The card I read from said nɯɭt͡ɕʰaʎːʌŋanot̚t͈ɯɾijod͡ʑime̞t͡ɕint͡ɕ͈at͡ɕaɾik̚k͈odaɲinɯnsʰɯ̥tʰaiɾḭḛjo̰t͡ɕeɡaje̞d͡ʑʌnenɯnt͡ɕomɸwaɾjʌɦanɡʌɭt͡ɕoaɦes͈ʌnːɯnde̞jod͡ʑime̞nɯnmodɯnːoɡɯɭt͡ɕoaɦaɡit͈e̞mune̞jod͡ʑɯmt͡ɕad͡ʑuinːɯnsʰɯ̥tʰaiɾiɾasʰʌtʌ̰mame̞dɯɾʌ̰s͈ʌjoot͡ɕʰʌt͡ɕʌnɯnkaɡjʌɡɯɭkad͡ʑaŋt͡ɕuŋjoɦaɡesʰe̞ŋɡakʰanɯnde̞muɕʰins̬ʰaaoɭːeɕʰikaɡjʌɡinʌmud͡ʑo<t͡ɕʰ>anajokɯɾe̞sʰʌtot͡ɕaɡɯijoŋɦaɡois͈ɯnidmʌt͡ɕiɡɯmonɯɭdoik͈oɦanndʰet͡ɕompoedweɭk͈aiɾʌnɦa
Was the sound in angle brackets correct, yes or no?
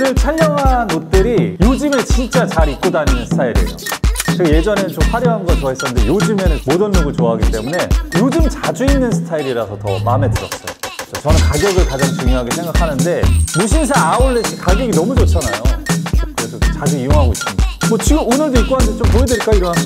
yes